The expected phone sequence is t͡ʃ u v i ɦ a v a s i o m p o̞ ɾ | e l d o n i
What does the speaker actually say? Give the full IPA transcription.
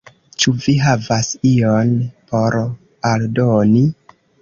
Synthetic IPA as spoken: t͡ʃ u v i ɦ a v a s i o n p o̞ ɾ | a l d o n i